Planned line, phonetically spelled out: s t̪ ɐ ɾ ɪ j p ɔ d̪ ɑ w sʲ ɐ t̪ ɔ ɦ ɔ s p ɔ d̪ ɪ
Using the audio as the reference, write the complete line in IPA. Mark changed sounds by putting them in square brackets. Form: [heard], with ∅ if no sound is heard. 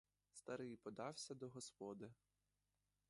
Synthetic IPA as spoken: s t̪ ɐ ɾ ɪ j p ɔ d̪ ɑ w sʲ ɐ [d̪] ɔ ɦ ɔ s p ɔ d̪ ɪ

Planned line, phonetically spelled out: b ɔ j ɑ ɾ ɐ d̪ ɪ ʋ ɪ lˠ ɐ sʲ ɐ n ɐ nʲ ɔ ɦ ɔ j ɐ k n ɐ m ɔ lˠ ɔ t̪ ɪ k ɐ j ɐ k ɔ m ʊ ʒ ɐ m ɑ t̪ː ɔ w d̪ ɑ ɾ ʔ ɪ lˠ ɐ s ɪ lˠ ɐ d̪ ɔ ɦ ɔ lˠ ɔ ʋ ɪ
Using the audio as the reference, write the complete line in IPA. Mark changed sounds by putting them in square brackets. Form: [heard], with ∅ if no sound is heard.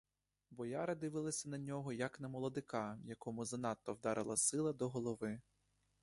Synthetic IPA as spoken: b ɔ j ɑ ɾ ɐ d̪ ɪ ʋ ɪ lˠ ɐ sʲ ɐ n ɐ nʲ ɔ ɦ ɔ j ɐ k n ɐ m ɔ lˠ ɔ [d̪] ɪ k [ɑ] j ɐ k ɔ m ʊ [z] ɐ [n] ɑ t̪ː ɔ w d̪ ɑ ɾ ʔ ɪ lˠ ɐ s ɪ lˠ ɐ d̪ ɔ ɦ ɔ lˠ ɔ ʋ ɪ

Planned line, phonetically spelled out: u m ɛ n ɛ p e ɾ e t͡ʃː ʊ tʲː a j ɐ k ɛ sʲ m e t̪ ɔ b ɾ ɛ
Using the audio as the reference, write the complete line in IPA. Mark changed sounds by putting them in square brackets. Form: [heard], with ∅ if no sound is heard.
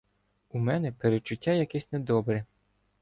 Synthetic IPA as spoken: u m ɛ n ɛ p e ɾ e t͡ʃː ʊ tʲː a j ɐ k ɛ sʲ [n] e [d̪] ɔ b ɾ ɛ

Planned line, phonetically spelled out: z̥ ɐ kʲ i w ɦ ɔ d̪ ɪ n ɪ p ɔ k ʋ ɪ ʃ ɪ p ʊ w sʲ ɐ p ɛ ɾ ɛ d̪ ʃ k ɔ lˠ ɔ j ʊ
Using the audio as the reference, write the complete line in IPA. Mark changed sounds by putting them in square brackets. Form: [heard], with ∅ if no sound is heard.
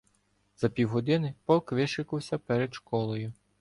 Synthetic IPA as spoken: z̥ ɐ [pʲ] i w ɦ ɔ d̪ ɪ n ɪ p ɔ k ʋ ɪ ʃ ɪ [k] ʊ w sʲ ɐ p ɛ ɾ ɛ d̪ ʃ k ɔ lˠ ɔ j ʊ

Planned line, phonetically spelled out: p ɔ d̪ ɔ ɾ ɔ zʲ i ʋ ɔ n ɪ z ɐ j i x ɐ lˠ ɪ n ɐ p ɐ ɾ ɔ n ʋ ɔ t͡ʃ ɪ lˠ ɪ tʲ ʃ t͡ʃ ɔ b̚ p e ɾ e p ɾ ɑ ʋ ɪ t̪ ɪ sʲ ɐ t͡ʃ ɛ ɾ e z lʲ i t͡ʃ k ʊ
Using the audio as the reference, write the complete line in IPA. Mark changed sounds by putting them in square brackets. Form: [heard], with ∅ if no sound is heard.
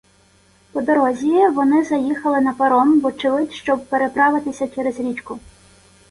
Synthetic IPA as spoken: p ɔ d̪ ɔ ɾ ɔ zʲ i ʋ ɔ n ɪ z ɐ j i x ɐ lˠ ɪ n ɐ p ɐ ɾ ɔ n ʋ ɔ t͡ʃ ɪ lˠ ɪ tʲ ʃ t͡ʃ ɔ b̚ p e ɾ e p ɾ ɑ ʋ ɪ t̪ ɪ sʲ ɐ t͡ʃ ɛ ɾ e z [ɾʲ] i t͡ʃ k ʊ

